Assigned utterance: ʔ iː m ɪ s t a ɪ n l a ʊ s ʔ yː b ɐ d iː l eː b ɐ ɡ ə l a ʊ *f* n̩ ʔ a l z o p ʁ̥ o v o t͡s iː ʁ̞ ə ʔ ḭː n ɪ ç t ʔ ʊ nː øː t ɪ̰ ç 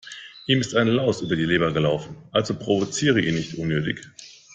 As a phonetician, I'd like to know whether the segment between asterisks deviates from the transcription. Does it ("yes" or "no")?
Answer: no